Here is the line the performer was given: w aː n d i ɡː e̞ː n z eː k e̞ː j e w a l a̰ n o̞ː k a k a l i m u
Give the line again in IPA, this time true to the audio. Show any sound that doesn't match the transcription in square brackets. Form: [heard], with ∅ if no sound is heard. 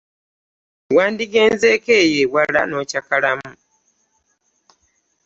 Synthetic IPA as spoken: w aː n d i [ɡ] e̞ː n z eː k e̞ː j e w a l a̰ n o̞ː [c] a k a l [a] m u